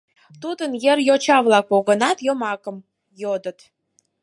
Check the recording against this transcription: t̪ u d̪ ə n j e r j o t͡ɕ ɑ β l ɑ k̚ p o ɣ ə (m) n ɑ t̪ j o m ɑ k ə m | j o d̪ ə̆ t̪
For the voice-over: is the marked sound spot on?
no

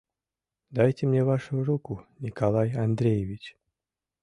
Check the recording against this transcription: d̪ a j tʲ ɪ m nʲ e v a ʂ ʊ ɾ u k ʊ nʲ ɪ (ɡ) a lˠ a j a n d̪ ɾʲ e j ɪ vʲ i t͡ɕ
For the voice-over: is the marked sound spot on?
no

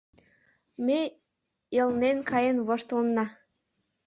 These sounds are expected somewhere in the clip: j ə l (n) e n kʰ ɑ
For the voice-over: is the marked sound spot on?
yes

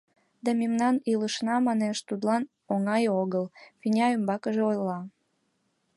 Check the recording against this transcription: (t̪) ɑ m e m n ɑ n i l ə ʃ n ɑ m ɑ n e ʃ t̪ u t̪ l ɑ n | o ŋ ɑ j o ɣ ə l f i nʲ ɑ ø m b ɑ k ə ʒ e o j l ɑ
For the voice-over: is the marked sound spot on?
no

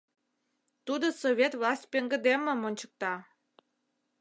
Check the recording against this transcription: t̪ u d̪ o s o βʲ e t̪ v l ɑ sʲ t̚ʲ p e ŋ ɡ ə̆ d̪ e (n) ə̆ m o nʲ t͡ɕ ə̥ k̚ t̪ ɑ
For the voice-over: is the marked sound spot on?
no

